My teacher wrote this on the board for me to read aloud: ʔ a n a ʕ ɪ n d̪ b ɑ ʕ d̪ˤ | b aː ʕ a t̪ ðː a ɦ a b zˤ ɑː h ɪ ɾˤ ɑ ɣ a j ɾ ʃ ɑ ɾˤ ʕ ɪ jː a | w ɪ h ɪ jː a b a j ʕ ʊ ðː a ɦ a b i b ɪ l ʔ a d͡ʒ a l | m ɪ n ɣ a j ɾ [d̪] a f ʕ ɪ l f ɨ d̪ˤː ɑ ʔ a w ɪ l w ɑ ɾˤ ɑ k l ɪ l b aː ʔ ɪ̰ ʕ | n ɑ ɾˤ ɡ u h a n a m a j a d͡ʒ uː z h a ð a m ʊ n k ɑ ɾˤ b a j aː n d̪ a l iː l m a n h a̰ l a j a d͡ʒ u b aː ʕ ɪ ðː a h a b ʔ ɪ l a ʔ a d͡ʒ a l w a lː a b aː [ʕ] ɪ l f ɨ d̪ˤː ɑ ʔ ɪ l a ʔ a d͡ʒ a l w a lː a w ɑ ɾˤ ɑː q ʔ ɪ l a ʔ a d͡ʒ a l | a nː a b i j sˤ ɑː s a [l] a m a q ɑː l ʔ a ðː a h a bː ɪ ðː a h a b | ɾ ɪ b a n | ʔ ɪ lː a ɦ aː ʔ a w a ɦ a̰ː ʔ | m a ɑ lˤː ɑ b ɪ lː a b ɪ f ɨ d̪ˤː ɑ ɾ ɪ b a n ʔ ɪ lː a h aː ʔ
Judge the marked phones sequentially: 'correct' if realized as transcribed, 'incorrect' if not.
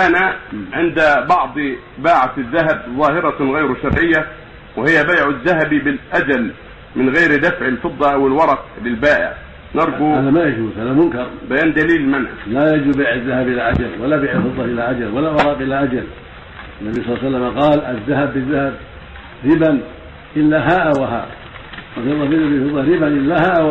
correct, correct, incorrect

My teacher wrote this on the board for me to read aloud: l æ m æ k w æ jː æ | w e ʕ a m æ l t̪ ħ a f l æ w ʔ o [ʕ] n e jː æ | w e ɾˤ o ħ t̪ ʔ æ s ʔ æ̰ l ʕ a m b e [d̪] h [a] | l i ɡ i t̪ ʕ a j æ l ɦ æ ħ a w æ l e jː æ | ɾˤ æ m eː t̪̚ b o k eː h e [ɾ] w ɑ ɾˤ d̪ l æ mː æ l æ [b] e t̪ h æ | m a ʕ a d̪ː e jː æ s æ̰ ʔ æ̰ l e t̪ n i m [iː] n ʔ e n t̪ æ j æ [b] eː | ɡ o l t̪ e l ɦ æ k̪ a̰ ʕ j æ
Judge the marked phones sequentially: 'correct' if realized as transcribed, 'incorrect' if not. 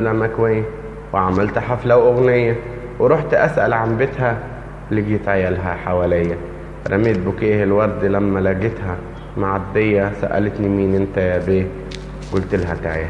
incorrect, incorrect, incorrect, incorrect, incorrect, correct, correct

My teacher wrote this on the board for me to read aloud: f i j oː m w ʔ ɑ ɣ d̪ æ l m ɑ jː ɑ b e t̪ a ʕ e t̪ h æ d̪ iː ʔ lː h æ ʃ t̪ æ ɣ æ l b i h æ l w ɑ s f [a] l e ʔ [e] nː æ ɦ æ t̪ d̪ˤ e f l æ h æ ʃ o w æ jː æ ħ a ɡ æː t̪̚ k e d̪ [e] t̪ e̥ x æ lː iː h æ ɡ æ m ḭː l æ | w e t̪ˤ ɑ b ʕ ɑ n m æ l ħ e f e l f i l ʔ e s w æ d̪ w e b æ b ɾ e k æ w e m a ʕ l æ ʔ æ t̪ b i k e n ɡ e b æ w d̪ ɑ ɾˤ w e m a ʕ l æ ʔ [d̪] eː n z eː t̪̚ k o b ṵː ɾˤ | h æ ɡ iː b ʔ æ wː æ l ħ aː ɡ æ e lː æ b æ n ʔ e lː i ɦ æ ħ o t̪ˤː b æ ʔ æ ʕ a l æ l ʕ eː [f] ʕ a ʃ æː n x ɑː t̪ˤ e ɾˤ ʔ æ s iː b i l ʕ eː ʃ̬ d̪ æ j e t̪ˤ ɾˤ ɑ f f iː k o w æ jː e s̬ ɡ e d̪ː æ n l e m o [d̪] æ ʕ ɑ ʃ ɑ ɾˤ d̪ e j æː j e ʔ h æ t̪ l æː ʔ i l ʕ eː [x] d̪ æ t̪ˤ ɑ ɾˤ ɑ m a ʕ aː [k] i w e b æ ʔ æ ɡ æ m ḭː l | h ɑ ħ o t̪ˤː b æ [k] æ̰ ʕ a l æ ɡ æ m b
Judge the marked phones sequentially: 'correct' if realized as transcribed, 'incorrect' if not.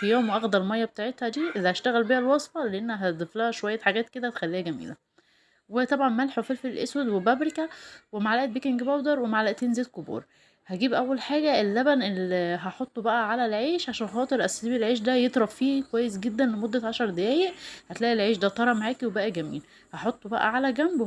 incorrect, correct, incorrect, incorrect, incorrect, incorrect, incorrect, correct, incorrect

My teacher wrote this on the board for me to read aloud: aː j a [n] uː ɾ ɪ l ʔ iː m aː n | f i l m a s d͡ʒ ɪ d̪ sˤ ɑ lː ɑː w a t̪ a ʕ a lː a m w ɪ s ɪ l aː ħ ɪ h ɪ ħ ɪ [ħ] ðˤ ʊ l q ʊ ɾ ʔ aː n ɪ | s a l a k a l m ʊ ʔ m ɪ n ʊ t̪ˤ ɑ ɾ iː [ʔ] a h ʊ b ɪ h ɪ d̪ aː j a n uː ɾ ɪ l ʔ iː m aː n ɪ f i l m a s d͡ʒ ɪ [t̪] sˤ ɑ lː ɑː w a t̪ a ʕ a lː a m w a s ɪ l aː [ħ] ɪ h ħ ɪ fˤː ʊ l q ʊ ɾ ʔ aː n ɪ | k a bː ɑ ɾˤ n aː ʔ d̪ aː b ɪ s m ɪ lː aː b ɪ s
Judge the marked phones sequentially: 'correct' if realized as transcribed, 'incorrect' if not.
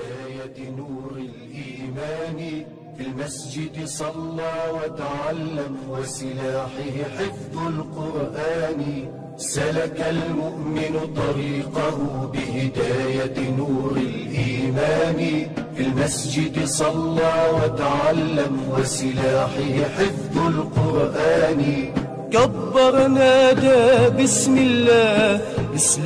correct, incorrect, incorrect, incorrect, correct

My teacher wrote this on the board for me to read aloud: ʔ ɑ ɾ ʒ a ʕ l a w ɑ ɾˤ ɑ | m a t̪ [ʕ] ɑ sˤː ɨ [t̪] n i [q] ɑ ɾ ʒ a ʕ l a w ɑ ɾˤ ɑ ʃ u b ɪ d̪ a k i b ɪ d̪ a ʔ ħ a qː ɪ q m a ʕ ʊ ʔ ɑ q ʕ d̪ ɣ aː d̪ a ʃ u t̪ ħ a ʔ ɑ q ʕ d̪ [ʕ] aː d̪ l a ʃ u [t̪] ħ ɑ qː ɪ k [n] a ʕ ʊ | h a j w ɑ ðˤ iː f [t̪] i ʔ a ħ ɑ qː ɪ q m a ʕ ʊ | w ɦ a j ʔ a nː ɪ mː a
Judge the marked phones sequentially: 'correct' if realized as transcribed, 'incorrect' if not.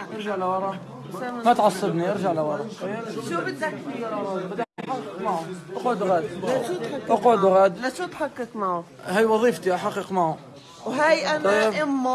correct, incorrect, incorrect, incorrect, correct, incorrect, correct

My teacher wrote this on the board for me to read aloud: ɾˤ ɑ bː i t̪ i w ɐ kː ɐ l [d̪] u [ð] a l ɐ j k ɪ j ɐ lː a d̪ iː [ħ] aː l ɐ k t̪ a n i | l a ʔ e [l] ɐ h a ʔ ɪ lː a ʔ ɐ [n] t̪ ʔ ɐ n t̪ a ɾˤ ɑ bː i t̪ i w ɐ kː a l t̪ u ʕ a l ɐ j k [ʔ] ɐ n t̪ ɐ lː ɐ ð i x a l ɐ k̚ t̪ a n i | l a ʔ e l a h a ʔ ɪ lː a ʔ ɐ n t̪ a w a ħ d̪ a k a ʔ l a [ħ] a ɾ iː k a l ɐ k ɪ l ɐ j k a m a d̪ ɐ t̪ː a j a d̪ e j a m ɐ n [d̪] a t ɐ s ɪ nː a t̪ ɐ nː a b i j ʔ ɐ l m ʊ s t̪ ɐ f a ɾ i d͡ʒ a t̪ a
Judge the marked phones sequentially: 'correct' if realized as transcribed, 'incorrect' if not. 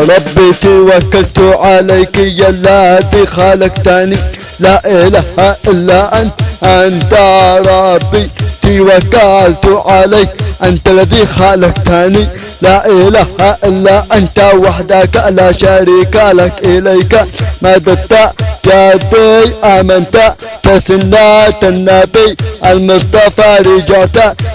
incorrect, incorrect, incorrect, correct, correct, correct, incorrect, incorrect

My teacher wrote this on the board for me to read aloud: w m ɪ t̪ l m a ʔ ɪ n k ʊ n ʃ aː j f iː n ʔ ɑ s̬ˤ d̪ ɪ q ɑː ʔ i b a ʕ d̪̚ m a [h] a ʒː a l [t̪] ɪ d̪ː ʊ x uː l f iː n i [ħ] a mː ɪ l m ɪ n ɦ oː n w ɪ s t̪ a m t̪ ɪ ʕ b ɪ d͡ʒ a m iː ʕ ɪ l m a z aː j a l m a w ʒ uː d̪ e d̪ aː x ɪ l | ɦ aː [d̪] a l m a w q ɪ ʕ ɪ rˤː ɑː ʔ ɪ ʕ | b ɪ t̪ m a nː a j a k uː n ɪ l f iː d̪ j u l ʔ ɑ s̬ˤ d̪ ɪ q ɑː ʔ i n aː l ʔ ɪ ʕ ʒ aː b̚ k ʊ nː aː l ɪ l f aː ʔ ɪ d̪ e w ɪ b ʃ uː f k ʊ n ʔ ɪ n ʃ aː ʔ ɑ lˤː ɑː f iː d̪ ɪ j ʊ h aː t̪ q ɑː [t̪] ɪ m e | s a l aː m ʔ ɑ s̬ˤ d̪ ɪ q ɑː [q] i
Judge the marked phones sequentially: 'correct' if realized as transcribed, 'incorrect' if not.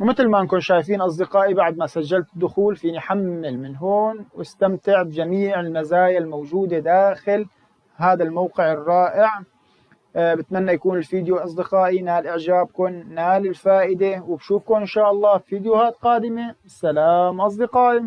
incorrect, correct, correct, correct, incorrect, incorrect

